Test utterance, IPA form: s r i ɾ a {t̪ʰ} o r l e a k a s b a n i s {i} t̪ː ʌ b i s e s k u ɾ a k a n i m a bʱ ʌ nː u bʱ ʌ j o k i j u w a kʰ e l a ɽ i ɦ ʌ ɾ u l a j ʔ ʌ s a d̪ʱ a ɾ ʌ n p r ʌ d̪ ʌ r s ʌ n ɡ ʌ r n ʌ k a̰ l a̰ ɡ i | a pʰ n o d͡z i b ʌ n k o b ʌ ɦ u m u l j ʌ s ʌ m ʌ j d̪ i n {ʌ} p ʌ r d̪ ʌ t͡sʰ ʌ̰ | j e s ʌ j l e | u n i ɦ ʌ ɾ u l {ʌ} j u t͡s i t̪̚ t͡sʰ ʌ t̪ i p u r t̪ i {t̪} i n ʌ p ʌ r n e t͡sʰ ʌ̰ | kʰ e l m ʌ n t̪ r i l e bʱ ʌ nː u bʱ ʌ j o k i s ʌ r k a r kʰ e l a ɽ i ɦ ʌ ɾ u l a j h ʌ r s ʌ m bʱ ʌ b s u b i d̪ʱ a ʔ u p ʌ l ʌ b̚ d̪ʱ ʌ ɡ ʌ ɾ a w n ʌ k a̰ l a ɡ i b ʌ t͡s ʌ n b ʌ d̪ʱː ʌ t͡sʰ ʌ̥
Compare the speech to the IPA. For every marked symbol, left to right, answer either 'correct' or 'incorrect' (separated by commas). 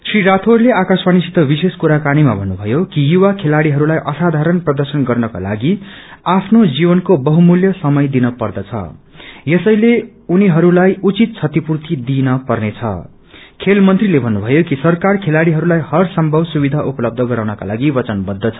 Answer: correct, correct, correct, incorrect, incorrect